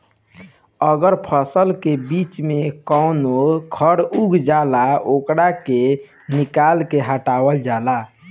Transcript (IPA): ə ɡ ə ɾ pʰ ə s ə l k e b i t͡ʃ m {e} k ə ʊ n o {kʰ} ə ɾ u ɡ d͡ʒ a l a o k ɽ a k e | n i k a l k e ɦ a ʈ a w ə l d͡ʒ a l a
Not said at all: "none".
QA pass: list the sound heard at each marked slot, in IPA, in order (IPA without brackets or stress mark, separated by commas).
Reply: e, kʰ